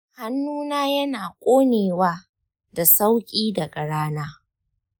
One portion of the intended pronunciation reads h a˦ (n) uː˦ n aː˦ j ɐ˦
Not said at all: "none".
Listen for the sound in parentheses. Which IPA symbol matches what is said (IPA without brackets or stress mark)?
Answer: nː